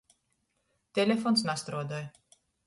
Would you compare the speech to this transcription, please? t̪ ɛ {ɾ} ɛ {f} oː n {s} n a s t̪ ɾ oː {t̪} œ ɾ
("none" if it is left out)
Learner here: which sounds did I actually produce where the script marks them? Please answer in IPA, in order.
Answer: l, f, s, d̪

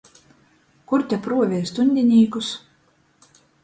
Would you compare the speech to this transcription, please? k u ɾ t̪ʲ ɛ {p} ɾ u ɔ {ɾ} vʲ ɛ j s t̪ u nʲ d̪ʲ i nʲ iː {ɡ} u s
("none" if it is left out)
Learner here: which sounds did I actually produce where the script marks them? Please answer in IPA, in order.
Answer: p, none, k

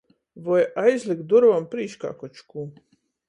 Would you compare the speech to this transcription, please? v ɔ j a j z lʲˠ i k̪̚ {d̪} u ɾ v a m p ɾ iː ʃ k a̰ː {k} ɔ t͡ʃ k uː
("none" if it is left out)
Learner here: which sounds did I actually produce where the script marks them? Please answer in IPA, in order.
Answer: d̪, k

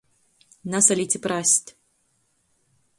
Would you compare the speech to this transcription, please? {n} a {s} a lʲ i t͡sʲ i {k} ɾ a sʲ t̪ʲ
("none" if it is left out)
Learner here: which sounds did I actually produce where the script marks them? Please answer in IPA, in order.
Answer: n, s, p

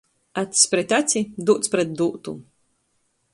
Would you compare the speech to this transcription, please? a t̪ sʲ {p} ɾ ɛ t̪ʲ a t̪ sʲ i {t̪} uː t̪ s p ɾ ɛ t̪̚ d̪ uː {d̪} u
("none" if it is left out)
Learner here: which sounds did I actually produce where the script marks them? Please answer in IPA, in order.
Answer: p, d̪, t̪

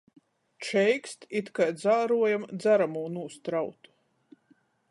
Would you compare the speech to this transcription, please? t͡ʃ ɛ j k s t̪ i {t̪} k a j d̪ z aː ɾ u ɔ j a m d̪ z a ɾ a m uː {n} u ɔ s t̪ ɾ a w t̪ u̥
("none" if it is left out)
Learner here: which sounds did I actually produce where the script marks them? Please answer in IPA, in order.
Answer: t̪, n

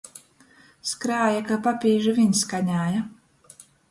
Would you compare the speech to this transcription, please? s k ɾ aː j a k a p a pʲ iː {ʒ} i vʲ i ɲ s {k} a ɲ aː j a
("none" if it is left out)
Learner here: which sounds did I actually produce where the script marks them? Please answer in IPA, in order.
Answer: ʒ, k

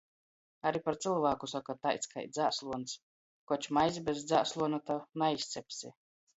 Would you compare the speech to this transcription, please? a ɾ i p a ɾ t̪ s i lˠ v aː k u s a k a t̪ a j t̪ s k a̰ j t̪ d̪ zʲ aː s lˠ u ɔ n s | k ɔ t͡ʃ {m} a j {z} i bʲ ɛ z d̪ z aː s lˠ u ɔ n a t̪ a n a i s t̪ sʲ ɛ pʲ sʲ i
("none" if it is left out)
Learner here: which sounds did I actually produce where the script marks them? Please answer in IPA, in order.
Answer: m, z

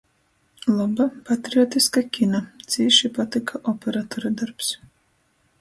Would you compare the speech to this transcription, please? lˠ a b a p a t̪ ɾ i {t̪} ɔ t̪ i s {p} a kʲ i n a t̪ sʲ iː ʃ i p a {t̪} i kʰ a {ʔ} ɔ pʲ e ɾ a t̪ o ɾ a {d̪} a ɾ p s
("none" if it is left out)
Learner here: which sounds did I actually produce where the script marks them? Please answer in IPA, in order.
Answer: none, k, t̪, ʔ, d̪

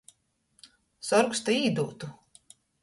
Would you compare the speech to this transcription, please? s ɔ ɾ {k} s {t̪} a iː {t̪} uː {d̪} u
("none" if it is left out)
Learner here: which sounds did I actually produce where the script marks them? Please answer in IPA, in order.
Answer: k, t̪, d̪, t̪

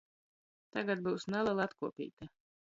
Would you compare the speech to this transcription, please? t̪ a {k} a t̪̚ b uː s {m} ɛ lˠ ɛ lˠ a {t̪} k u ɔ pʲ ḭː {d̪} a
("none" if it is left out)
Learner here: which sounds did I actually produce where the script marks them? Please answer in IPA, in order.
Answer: ɡ, n, t̪, t̪

